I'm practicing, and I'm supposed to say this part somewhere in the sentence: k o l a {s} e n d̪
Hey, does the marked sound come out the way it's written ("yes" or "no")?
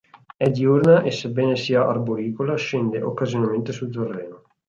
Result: no